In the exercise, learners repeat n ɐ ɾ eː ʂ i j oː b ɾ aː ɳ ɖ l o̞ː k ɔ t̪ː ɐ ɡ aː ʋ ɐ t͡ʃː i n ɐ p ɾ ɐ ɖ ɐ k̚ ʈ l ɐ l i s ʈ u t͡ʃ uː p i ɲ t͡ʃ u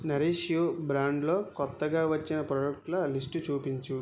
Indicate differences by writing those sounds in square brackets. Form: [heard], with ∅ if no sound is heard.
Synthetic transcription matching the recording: n ɐ ɾ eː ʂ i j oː b ɾ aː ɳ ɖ l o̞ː k ɔ t̪ː ɐ ɡ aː ʋ ɐ t͡ʃː i n ɐ p ɾ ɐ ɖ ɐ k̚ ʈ l ɐ l i s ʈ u t͡ʃ uː p i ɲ t͡ʃ u